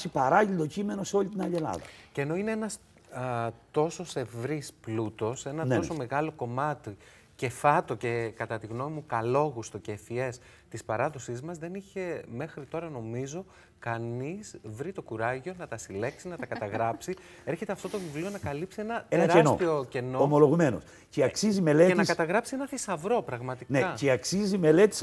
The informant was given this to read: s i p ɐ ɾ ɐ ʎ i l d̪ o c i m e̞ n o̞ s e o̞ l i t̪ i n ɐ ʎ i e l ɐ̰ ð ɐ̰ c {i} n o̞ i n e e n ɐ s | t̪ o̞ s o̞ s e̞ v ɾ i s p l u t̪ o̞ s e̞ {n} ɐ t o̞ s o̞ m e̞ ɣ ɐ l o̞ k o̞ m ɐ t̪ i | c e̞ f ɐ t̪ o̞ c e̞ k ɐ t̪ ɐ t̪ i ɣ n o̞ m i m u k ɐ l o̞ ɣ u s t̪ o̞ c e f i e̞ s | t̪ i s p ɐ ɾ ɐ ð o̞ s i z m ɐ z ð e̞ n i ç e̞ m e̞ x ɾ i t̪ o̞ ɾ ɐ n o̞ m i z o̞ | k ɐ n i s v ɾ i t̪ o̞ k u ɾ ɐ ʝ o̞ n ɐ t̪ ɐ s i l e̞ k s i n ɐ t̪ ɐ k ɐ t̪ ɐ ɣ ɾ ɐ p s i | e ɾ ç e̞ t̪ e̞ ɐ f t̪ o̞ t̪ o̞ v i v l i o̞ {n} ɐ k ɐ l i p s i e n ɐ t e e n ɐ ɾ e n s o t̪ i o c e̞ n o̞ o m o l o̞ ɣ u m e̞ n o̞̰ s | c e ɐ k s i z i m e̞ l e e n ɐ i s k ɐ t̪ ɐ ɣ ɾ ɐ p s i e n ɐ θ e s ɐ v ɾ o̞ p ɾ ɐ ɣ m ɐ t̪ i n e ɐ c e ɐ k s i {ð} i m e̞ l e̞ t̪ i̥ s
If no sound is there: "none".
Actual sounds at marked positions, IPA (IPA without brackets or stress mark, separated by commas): e, n, n, z